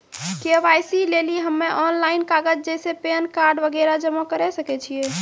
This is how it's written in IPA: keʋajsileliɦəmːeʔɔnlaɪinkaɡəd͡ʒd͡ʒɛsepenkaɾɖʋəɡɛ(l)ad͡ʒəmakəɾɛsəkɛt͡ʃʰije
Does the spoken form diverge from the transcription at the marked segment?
yes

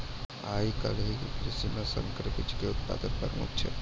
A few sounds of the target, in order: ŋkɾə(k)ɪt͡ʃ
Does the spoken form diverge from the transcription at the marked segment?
yes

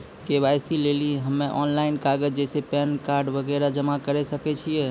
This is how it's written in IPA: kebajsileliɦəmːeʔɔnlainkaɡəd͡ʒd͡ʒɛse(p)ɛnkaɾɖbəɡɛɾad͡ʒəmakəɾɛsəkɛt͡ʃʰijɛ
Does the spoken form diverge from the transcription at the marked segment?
no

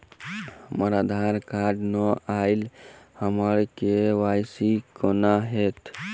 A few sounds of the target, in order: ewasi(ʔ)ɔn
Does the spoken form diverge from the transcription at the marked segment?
yes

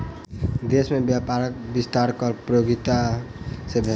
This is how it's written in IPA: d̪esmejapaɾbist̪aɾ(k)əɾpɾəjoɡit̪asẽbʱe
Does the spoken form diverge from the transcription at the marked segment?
no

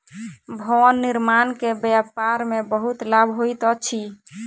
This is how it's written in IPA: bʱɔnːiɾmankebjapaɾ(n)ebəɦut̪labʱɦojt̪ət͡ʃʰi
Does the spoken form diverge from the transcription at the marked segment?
yes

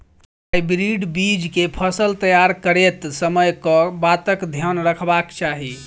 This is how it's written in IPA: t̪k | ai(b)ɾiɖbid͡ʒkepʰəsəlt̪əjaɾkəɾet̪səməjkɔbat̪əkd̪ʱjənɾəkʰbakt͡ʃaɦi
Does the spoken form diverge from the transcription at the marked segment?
no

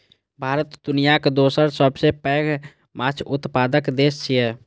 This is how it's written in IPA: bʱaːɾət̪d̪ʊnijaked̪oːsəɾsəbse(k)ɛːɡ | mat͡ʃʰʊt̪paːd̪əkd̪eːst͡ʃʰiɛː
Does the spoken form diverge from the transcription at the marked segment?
yes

